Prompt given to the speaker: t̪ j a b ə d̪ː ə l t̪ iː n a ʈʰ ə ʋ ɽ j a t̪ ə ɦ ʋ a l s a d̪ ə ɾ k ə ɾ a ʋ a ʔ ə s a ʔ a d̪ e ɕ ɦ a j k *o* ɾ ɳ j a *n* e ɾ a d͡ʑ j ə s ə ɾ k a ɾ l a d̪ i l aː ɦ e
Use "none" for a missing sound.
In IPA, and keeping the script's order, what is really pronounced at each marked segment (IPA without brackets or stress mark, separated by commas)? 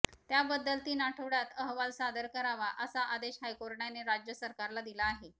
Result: o, n